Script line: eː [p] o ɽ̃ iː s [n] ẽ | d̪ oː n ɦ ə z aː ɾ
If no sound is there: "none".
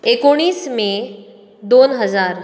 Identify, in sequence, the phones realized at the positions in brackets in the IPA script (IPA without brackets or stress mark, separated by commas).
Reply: k, m